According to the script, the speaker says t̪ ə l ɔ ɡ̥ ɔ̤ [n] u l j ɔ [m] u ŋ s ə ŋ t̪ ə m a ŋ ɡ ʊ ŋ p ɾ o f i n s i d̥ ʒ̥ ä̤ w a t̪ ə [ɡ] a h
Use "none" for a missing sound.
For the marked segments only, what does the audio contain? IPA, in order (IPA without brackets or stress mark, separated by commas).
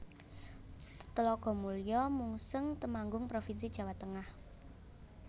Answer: m, m, ŋ